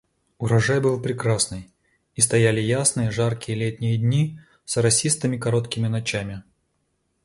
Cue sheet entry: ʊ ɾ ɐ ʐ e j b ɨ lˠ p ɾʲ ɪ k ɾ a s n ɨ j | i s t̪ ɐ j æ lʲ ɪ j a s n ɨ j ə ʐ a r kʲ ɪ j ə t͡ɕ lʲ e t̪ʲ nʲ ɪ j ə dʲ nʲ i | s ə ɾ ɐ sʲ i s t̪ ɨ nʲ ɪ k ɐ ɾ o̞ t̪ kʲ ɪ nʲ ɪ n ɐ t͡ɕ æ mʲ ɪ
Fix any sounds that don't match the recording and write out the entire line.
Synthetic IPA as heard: ʊ ɾ ɐ ʐ a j b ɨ lˠ p ɾʲ ɪ k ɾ a s n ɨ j | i s t̪ ɐ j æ lʲ ɪ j a s n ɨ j ə ʐ a r kʲ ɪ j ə lʲ e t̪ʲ nʲ ɪ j ə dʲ nʲ i | s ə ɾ ɐ sʲ i s t̪ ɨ mʲ ɪ k ɐ ɾ o̞ t̪ kʲ ɪ mʲ ɪ n ɐ t͡ɕ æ mʲ ɪ